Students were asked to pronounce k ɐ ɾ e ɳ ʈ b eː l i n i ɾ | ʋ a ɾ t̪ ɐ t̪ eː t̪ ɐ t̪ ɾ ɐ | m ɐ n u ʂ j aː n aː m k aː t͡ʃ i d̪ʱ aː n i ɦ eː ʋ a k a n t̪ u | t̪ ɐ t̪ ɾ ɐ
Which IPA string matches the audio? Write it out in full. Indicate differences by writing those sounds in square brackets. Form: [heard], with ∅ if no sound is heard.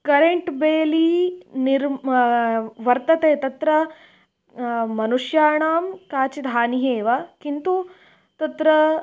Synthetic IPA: k ɐ ɾ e ɳ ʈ b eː l i n i ɾ | ʋ [ɐ] ɾ t̪ ɐ t̪ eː t̪ ɐ t̪ ɾ ɐ | m ɐ n u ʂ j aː [ɳ] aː m k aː t͡ʃ i d̪ʱ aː n i ɦ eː ʋ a k [i] n t̪ u | t̪ ɐ t̪ ɾ ɐ